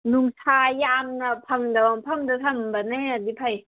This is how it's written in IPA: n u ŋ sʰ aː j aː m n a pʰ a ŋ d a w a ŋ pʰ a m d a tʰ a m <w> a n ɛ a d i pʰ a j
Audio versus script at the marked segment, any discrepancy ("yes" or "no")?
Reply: yes